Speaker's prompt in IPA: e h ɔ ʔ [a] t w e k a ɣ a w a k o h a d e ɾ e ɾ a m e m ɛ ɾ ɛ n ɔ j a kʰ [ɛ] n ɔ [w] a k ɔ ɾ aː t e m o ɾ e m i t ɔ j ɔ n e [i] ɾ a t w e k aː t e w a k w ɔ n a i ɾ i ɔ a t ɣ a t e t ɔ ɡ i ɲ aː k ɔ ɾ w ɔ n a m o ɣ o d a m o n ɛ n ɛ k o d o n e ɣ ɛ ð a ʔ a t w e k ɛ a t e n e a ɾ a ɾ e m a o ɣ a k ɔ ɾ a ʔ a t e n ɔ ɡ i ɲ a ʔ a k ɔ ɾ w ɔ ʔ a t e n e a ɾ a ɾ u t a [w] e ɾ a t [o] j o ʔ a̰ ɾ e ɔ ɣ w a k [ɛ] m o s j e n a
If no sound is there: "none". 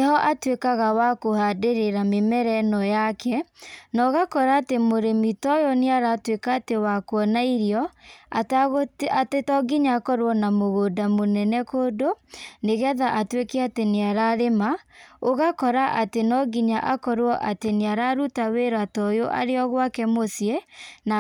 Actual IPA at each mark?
a, ɛ, ɣ, a, w, ɔ, ɛ

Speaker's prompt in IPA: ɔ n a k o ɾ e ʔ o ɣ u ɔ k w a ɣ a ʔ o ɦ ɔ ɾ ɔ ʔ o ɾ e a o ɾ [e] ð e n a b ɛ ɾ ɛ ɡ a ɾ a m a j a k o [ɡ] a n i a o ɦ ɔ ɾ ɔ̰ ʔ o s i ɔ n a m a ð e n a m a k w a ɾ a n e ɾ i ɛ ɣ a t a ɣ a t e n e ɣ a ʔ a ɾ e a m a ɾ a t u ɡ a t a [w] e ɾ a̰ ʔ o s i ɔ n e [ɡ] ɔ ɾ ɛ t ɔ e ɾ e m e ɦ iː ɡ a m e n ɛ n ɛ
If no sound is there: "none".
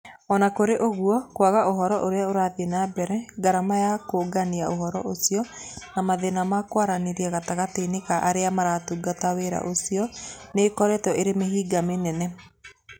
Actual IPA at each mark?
a, ɡ, w, k

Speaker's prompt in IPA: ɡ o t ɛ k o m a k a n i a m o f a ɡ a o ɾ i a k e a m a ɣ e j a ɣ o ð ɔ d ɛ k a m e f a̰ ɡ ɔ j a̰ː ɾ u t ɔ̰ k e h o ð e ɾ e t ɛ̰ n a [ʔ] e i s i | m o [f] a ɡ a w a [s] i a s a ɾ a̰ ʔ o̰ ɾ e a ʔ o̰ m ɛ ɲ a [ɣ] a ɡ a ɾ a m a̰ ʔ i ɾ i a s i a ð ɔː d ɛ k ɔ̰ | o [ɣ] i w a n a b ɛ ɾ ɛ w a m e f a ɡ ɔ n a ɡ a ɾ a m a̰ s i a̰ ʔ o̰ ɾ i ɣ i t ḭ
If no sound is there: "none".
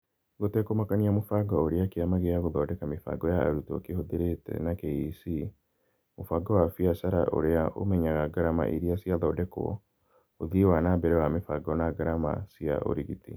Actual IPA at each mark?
k, f, f, ɣ, ð

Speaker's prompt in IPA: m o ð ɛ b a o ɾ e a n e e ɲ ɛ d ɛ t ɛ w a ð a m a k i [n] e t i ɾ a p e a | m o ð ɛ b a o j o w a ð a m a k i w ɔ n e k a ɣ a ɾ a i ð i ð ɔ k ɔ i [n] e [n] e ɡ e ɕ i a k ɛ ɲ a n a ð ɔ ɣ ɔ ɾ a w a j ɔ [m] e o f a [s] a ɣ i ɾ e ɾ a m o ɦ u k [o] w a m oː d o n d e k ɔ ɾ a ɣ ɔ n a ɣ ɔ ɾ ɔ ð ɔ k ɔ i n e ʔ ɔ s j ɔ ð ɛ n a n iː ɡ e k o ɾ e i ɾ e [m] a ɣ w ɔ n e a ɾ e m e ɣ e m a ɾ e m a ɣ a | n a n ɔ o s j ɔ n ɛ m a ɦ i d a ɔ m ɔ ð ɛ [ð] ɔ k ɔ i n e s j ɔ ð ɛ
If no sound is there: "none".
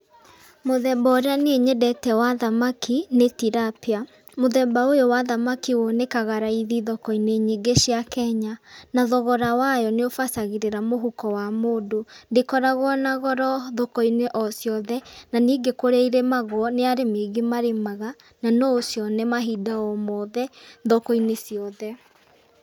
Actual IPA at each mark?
n, n, ɲ, n, s, ɔ, m, ð

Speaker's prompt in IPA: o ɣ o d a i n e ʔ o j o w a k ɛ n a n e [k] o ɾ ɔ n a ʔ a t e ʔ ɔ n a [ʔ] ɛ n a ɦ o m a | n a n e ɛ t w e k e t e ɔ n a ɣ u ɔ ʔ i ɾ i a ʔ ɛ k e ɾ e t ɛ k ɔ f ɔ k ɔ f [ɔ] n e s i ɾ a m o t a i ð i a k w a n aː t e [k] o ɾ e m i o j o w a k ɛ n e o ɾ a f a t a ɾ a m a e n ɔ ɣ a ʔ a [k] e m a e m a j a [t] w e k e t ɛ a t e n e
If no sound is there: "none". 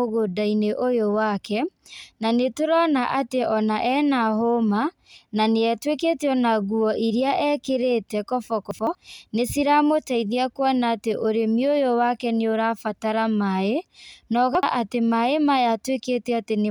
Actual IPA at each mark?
t, ʔ, ɔ, ʔ, t, t

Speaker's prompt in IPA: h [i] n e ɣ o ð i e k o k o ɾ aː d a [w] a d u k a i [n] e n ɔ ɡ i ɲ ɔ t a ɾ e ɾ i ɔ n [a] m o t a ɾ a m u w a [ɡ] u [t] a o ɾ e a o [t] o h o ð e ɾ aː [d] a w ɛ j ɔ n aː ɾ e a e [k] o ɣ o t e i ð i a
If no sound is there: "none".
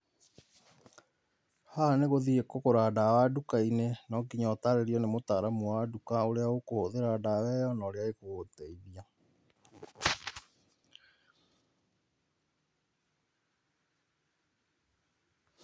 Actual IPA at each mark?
a, w, n, e, d, k, k, d, k

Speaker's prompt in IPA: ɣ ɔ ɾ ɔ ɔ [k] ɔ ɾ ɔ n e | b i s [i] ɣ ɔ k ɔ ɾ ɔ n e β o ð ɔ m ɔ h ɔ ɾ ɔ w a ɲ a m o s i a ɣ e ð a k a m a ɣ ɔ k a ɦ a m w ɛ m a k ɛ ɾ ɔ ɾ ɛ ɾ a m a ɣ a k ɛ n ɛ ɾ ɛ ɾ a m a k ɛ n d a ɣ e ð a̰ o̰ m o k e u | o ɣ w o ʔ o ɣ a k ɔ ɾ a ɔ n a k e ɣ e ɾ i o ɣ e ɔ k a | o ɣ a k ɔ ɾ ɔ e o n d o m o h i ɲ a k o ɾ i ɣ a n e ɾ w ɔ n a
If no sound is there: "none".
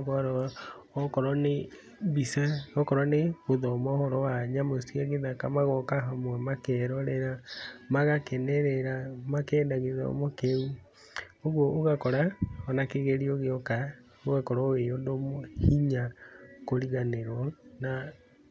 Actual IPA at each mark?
k, a

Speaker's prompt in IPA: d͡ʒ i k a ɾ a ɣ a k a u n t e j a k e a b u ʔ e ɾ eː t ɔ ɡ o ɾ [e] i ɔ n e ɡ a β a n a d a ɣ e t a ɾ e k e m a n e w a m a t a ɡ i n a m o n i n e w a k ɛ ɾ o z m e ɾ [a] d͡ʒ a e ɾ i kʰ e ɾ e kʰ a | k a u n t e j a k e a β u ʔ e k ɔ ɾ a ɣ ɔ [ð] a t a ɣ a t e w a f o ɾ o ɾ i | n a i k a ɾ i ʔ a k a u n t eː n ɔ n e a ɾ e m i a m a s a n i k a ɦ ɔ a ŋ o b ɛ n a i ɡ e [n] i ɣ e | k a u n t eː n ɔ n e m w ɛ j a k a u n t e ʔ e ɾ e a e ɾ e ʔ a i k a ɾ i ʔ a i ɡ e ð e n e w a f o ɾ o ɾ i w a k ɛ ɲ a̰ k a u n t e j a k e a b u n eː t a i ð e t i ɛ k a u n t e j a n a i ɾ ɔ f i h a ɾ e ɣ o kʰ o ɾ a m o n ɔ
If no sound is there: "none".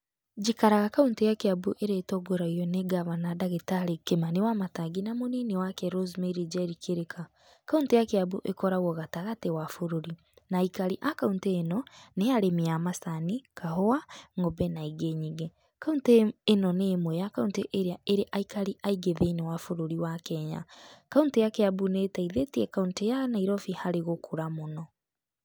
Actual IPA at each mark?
a, i, ɣ, ɲ

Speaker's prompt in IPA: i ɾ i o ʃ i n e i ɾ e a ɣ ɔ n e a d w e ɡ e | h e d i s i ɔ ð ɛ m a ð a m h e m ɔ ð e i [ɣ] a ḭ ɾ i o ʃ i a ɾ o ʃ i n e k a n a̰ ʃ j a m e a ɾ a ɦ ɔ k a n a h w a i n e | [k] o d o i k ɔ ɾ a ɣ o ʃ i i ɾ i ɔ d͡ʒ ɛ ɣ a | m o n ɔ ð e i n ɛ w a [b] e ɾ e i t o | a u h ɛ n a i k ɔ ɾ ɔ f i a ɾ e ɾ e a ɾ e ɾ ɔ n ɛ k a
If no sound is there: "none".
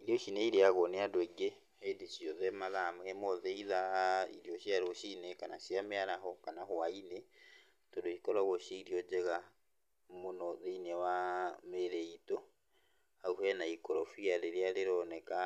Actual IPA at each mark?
ð, t, m

